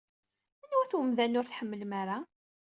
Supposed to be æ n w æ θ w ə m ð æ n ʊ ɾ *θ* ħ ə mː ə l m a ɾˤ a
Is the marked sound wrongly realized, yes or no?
no